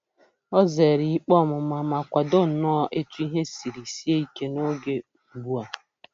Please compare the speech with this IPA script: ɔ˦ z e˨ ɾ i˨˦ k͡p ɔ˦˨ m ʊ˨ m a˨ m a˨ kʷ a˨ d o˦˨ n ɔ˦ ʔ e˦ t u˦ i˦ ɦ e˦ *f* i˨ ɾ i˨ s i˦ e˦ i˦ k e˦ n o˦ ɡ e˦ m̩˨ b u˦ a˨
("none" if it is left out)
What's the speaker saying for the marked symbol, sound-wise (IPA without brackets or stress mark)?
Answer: s